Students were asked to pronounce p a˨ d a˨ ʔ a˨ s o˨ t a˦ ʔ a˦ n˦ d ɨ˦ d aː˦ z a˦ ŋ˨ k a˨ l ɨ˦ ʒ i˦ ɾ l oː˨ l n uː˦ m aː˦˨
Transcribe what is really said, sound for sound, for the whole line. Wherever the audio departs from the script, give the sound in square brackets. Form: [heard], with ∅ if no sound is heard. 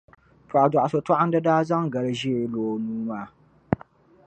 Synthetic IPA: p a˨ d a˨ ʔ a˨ s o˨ t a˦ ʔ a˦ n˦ d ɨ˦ d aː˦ z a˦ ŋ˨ [ɡ] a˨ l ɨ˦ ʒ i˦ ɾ l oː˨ [∅] n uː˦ m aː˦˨